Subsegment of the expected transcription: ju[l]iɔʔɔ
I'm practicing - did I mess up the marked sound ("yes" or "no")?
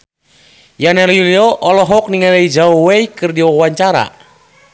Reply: no